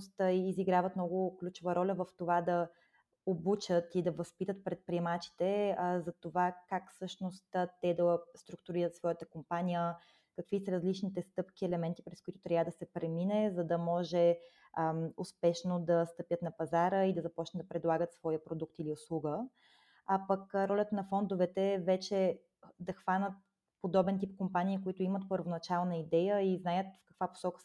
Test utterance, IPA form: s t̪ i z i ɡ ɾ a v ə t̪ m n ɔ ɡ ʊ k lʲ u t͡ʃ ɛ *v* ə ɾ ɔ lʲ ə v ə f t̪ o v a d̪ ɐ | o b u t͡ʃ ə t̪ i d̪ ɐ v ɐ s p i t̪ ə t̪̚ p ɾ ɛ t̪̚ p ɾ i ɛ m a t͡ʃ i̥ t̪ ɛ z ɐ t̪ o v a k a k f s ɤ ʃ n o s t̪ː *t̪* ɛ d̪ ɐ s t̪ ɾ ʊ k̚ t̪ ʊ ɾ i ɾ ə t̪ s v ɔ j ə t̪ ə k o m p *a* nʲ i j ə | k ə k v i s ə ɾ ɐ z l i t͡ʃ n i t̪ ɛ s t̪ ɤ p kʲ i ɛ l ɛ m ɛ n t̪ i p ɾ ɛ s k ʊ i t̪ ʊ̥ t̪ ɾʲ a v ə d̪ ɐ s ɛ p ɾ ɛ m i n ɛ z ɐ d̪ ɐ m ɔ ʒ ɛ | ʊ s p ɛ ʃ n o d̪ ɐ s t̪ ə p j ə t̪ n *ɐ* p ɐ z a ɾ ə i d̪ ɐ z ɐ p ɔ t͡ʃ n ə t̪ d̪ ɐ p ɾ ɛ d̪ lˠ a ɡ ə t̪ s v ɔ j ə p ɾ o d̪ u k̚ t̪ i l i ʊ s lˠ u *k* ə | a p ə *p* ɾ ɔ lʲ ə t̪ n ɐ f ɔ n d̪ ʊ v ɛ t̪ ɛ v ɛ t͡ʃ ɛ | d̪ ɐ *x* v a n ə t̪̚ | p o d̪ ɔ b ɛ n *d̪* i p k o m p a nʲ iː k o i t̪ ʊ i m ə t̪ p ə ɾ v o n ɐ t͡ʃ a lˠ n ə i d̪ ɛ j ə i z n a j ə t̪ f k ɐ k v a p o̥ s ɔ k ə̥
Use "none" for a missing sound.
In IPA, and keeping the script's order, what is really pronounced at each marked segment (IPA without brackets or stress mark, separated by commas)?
v, t̪, a, ɐ, ɡ, k, x, t̪